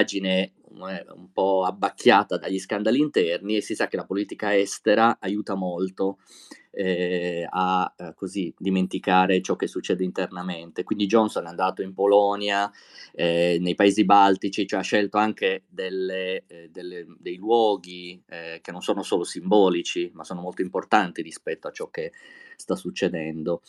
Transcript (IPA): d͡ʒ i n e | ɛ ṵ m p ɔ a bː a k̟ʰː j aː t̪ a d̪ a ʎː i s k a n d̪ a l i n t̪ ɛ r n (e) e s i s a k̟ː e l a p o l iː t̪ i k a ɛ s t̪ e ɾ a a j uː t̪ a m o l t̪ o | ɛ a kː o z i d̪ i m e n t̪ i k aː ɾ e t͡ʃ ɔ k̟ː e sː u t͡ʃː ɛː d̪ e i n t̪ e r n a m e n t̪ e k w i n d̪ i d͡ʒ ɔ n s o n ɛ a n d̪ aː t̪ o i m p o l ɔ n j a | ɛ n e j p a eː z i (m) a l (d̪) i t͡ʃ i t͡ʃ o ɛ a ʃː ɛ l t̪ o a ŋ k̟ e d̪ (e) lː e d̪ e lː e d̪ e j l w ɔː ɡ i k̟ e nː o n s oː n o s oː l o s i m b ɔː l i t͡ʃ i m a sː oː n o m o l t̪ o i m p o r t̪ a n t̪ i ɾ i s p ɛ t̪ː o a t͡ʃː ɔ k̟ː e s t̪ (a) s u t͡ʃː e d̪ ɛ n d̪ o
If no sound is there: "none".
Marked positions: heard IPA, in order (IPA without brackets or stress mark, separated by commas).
i, b, t̪, e, a